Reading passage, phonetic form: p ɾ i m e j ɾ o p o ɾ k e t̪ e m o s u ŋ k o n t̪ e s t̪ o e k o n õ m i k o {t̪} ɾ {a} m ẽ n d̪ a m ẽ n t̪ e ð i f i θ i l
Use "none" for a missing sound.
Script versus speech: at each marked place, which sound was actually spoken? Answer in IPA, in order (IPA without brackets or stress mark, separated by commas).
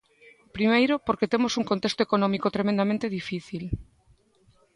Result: t̪, e